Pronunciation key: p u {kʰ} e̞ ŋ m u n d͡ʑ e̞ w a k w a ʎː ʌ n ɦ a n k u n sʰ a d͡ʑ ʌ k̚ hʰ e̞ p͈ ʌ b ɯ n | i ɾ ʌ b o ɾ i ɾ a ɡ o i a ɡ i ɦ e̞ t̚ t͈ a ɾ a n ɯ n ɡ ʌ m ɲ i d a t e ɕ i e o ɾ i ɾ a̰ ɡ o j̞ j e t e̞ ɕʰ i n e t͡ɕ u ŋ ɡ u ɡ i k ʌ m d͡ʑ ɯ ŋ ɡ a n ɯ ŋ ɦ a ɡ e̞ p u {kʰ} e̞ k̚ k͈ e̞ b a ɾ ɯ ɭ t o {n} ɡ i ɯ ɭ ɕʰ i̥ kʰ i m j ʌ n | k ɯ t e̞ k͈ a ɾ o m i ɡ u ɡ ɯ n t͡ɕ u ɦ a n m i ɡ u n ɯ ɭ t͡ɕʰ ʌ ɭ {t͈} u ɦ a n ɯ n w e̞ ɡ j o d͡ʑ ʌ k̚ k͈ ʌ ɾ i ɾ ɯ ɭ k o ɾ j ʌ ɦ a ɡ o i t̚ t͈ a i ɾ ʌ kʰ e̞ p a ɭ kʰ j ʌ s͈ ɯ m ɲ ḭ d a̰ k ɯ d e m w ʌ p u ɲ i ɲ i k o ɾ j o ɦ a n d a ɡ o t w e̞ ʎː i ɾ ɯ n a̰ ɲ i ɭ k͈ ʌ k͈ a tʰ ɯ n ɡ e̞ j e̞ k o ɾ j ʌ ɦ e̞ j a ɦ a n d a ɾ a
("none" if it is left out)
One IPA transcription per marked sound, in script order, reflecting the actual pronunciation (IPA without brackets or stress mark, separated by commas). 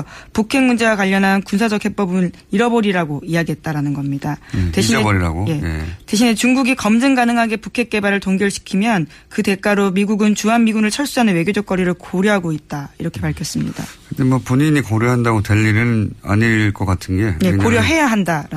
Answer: kʰ, kʰ, ŋ, s͈